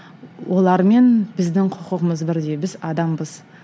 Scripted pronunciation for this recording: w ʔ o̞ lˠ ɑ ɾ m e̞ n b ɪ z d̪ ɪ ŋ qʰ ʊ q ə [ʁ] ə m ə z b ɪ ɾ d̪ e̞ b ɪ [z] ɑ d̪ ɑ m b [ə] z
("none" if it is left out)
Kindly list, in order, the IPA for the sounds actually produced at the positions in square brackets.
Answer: ʁ, z, ə

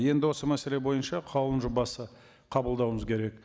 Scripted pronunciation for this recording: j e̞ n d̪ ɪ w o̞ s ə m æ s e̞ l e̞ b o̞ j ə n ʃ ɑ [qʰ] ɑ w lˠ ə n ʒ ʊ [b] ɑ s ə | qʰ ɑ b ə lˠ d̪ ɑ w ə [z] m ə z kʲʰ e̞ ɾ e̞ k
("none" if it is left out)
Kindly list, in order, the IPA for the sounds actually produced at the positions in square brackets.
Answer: qʰ, b, none

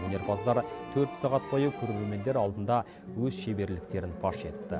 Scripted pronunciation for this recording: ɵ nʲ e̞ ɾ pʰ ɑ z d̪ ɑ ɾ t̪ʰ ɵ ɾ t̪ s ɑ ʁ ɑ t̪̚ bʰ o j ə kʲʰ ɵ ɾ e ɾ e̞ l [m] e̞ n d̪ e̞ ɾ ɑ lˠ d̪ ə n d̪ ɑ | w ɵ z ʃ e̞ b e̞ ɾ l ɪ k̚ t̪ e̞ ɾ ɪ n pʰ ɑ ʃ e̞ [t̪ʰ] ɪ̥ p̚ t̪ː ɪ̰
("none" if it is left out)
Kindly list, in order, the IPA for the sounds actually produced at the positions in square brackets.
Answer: m, t̪

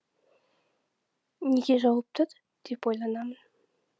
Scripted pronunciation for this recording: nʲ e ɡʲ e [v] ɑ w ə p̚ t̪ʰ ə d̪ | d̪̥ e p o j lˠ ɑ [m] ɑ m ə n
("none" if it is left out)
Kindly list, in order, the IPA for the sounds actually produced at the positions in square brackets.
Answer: ʒ, n

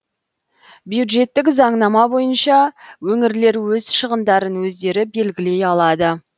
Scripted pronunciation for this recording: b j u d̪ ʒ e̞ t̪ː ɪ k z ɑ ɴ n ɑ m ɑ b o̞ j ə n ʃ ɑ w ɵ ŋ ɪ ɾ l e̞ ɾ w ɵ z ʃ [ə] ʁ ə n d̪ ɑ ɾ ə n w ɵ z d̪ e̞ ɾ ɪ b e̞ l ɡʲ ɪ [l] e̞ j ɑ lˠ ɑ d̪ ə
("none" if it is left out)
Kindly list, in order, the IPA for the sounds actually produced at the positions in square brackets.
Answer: ə, l

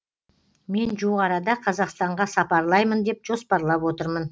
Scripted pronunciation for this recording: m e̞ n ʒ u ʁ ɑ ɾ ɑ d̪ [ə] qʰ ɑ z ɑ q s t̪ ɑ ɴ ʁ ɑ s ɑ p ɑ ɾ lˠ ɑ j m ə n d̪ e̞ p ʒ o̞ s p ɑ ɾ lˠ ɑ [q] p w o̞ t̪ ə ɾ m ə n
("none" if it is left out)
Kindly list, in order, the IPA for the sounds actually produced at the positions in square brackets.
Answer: ɑ, none

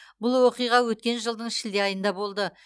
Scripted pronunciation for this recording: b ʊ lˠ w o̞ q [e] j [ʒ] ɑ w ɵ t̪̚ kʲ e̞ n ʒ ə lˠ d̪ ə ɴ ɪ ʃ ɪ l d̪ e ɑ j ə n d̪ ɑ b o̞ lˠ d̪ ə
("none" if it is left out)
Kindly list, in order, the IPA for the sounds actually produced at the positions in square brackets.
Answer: i, ʁ

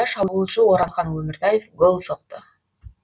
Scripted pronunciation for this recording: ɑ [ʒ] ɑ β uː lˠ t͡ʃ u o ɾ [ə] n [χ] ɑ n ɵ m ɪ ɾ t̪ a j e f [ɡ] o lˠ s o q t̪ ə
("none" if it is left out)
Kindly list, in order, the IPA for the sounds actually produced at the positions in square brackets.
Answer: ʃ, ɑ, χ, ɡ

